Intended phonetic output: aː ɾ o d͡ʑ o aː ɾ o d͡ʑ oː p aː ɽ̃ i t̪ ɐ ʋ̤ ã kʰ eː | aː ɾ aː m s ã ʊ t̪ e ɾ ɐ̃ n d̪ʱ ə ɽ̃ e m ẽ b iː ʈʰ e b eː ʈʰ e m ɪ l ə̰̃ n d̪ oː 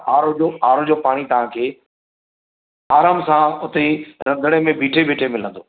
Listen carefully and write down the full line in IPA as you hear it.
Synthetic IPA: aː ɾ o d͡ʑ o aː ɾ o d͡ʑ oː p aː ɽ̃ i t̪ ɐ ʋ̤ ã kʰ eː | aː ɾ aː m s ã ʊ t̪ e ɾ ɐ̃ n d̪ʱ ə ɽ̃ e m ẽ b iː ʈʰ e b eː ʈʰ e m ɪ l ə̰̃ n d̪ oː